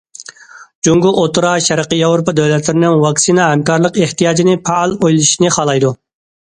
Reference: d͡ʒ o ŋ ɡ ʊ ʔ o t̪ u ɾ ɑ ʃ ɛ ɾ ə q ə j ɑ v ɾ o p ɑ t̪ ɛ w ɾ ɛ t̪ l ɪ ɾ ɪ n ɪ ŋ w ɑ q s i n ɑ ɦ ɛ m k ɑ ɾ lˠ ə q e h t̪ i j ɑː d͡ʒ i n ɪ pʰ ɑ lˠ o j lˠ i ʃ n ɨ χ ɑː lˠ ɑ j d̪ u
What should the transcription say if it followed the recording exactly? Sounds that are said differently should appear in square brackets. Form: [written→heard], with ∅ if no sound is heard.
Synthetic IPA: d͡ʒ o ŋ ɡ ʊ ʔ o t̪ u ɾ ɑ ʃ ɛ ɾ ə q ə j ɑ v ɾ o p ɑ [t̪→d̪] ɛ w [ɾ→l] ɛ t̪ l ɪ ɾ ɪ n ɪ ŋ w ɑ [q→k] s i n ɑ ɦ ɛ m k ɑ ɾ lˠ ə q e h t̪ i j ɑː d͡ʒ i n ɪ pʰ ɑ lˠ o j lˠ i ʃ n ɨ χ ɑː lˠ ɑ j d̪ u